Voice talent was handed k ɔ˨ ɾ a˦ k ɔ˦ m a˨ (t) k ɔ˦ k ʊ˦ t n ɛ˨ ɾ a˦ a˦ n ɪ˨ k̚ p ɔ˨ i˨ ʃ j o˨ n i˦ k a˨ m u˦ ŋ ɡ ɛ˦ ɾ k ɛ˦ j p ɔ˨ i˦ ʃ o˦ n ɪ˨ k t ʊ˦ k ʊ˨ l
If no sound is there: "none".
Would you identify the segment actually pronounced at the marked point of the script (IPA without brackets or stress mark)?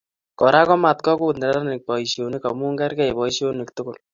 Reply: t